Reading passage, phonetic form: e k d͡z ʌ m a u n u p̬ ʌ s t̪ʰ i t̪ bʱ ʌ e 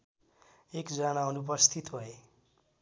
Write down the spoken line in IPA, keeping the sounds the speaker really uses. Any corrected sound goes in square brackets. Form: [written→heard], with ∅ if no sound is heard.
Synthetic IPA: e k d͡z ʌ [m→n] a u n u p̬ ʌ s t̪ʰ i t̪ bʱ ʌ e